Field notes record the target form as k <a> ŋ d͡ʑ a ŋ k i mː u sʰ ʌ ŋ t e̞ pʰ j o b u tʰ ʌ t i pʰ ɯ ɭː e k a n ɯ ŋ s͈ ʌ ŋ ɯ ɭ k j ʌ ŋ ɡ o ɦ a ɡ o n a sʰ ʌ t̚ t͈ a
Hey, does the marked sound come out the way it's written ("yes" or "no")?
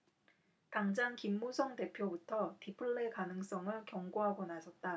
yes